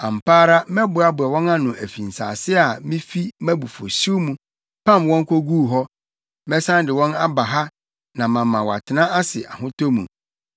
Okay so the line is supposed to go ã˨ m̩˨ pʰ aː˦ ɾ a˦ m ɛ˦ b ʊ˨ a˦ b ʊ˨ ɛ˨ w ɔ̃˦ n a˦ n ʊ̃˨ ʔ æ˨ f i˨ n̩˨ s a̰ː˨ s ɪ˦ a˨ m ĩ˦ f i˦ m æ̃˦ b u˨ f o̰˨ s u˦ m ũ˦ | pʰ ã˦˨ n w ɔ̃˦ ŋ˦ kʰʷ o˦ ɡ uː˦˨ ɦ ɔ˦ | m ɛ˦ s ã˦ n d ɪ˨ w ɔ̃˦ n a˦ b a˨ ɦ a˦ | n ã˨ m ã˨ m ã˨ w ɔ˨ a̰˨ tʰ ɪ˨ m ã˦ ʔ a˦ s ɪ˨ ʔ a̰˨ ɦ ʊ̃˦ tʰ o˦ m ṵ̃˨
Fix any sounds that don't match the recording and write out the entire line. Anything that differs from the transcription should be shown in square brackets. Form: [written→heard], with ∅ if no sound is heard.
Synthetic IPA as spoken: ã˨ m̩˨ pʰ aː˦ ɾ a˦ m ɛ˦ b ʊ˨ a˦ b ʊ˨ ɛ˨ w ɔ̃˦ n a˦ n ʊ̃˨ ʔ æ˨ f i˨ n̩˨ s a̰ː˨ s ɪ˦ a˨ m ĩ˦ f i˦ m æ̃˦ b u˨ f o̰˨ s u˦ m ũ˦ | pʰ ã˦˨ [n→m] w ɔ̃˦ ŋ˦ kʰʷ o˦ ɡ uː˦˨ ɦ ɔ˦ | m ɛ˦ s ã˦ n d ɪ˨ w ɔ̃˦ n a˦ b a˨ ɦ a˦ | n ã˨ m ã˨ m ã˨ w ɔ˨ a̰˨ tʰ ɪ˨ [m→n] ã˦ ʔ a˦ s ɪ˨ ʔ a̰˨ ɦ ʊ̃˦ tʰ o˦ m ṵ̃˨